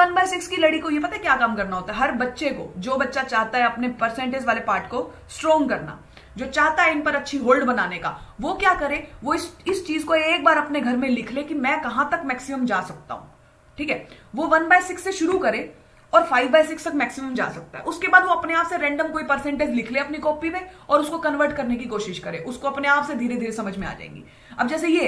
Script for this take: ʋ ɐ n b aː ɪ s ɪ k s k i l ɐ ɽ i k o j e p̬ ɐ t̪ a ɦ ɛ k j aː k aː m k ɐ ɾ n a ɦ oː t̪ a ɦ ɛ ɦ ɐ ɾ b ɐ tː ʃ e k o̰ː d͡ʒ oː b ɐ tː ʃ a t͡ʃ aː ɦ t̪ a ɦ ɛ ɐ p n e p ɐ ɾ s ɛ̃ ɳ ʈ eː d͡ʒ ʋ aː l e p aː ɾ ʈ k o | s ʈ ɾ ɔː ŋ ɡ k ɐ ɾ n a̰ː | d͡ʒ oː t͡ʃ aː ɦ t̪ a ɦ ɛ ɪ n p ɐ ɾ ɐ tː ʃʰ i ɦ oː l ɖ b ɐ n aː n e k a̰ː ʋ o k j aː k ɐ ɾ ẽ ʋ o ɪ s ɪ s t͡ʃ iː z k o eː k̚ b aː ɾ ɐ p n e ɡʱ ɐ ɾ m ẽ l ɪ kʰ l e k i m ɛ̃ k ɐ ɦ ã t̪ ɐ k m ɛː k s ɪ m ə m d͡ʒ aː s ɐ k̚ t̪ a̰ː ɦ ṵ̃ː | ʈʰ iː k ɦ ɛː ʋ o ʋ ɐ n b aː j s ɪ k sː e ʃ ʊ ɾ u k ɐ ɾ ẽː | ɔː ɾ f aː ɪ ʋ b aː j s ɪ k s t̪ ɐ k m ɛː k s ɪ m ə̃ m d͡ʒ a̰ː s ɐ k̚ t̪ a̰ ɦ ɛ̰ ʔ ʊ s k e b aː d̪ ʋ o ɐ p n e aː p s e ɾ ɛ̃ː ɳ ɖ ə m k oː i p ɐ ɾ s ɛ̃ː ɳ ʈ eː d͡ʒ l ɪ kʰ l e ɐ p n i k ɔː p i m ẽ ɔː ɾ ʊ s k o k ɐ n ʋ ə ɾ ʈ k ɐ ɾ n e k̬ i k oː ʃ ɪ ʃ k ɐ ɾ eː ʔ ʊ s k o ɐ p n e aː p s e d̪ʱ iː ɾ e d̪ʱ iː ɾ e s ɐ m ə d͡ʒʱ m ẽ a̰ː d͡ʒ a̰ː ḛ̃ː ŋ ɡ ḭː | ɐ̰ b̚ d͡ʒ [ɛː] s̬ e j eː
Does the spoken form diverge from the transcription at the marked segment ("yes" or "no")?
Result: no